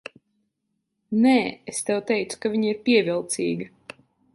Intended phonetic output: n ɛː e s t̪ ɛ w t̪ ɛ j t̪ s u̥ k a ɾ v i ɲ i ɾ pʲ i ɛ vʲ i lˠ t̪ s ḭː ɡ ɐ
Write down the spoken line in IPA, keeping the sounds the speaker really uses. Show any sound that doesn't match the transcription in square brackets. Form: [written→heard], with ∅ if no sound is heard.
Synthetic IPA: n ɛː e s t̪ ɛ w t̪ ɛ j t̪ s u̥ k a [ɾ→∅] v i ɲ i ɾ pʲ i ɛ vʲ i lˠ t̪ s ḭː ɡ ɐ